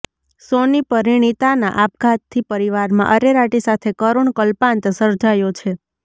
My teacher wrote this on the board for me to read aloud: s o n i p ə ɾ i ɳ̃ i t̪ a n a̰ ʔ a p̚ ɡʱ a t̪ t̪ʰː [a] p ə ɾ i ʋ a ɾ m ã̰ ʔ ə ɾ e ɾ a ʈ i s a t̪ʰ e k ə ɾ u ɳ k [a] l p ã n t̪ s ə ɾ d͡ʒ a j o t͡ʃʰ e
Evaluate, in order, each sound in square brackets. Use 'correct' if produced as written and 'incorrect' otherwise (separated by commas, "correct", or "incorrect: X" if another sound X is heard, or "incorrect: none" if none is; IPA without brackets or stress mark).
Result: incorrect: i, incorrect: ə